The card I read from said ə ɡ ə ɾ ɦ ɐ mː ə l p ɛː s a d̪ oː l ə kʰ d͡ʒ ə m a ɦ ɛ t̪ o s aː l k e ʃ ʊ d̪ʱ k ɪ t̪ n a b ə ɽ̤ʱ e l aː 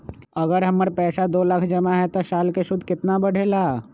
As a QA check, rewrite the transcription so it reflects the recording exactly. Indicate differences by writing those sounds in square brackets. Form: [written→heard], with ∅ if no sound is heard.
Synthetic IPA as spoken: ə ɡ ə ɾ ɦ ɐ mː ə [l→ɾ] p ɛː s a d̪ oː l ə kʰ d͡ʒ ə m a ɦ ɛ t̪ o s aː l k e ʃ ʊ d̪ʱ k ɪ t̪ n a b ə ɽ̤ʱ e l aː